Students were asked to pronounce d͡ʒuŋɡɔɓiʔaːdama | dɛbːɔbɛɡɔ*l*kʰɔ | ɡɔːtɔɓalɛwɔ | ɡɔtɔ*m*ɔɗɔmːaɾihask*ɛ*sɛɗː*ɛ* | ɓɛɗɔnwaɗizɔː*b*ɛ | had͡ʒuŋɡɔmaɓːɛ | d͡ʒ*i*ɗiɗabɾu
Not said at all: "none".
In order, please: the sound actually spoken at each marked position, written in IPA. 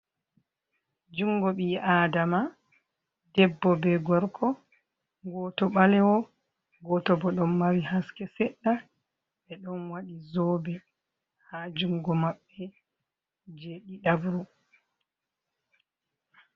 ɾ, b, ɛ, a, b, e

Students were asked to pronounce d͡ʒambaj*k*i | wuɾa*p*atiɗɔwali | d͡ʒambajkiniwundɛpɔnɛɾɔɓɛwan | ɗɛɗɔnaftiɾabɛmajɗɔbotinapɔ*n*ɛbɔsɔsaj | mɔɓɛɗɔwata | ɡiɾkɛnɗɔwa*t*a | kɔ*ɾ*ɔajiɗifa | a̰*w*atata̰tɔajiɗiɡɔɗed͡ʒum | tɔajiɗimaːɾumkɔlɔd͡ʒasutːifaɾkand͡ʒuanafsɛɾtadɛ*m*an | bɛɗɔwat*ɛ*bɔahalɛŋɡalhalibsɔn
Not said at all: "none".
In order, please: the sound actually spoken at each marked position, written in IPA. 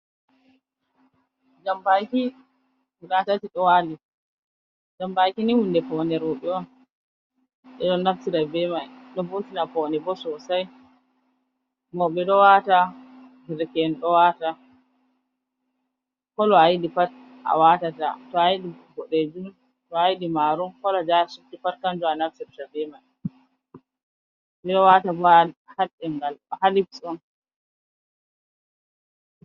k, t, n, t, l, w, m, a

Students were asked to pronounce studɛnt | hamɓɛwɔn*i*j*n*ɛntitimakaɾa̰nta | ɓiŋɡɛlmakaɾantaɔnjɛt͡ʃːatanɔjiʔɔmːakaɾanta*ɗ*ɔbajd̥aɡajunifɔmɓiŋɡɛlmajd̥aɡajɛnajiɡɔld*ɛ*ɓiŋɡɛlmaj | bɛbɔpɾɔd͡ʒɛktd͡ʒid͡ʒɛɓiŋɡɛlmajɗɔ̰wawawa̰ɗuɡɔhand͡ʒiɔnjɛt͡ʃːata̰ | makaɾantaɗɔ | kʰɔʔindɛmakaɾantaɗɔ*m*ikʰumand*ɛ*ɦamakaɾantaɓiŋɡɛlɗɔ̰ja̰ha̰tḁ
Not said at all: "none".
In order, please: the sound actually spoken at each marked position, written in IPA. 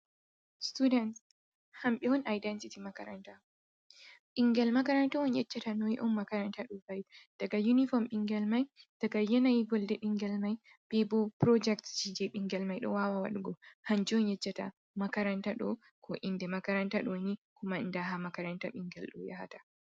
a, d, ɗ, ɛ, n, a

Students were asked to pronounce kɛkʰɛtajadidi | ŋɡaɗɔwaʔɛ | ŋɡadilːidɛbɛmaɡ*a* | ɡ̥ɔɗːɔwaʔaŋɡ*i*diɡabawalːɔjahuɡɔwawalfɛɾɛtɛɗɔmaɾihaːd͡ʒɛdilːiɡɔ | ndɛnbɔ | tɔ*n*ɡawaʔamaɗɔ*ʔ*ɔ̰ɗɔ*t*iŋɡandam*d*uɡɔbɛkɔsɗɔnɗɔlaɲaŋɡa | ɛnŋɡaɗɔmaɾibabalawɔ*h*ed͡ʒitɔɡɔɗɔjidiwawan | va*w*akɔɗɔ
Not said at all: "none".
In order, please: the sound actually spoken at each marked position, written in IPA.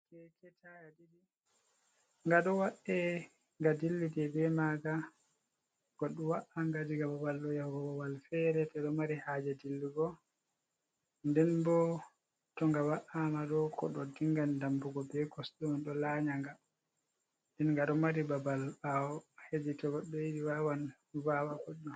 a, a, ŋ, k, d, b, h, w

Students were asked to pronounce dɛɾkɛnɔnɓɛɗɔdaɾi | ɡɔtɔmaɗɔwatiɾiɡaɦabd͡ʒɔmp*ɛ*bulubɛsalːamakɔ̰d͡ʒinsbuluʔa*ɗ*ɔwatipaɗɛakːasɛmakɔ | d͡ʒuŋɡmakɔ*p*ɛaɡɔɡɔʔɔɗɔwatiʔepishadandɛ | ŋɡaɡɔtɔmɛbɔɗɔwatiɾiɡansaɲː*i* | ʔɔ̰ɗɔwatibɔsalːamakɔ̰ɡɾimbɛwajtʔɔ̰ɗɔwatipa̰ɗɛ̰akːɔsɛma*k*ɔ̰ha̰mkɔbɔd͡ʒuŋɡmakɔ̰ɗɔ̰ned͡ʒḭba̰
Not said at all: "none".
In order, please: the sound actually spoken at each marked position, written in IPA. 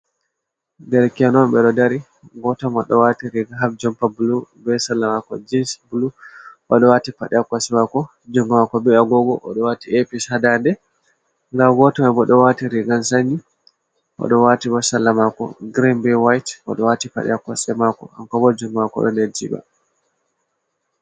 a, ɗ, b, i, k

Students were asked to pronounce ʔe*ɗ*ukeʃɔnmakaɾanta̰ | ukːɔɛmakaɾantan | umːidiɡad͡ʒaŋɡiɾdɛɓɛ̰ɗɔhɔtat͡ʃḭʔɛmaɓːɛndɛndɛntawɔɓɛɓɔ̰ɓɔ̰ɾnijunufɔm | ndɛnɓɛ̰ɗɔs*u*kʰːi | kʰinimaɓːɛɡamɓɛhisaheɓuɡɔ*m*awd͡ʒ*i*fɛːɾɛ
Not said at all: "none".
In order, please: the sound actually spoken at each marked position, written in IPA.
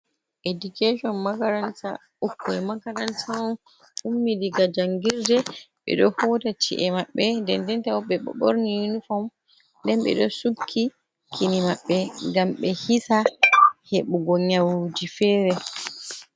d, u, ɲ, i

